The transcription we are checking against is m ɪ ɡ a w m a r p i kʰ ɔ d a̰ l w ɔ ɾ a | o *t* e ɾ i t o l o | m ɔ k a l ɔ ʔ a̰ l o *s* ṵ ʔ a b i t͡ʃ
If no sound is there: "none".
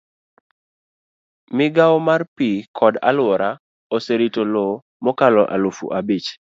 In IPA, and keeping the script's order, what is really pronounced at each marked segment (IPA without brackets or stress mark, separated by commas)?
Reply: s, f